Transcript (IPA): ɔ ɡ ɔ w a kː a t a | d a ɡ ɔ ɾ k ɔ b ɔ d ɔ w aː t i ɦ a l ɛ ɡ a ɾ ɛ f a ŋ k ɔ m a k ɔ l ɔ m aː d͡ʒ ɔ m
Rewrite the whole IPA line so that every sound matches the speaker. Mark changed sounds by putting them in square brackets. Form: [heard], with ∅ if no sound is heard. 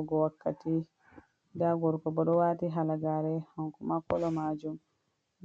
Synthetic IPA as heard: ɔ ɡ ɔ w a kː a t [i] | d a ɡ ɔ ɾ k ɔ b ɔ [ɗ] ɔ w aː t i ɦ a l [a] ɡ a ɾ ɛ [h] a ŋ k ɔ m a k ɔ l ɔ m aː d͡ʒ [u] m